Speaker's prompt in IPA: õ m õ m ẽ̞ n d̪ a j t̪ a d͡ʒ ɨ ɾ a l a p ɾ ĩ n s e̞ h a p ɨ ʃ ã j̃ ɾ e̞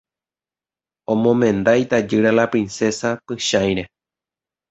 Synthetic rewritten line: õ m õ m ẽ̞ n d̪ a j t̪ a d͡ʒ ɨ ɾ a l a p ɾ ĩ n s e̞ s a p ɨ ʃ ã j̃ ɾ e̞